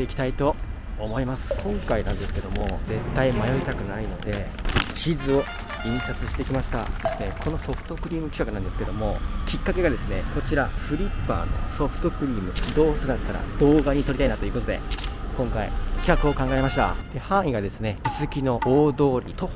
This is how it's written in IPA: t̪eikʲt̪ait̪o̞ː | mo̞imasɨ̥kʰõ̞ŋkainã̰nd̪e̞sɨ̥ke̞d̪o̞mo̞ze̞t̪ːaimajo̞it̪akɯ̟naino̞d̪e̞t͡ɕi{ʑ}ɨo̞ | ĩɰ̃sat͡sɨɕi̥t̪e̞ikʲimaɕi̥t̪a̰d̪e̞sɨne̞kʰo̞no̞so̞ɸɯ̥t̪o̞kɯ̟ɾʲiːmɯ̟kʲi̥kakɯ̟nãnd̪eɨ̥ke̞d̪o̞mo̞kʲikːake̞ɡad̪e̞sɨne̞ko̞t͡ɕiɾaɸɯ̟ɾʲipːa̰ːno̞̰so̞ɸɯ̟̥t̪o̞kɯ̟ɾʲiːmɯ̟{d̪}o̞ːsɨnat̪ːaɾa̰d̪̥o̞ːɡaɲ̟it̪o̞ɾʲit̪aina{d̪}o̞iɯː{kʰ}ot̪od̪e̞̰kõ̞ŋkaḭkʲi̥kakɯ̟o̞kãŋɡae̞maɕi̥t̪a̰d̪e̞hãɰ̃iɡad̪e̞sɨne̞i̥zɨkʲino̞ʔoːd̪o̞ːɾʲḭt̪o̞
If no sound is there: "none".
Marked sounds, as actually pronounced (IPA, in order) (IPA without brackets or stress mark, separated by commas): z, d̪, t̪, k